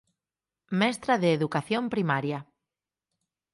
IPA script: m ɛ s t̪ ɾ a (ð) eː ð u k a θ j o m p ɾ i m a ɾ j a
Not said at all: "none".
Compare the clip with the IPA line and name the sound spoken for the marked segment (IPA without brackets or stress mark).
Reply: ð